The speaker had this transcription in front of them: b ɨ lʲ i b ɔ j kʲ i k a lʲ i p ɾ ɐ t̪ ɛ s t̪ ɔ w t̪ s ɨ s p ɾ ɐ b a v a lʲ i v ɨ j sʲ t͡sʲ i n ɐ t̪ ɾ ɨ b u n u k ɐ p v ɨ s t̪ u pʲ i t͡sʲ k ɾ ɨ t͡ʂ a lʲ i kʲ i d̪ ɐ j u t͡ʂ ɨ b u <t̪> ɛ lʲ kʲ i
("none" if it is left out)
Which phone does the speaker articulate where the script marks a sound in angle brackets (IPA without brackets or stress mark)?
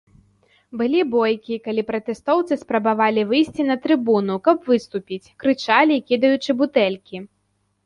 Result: t̪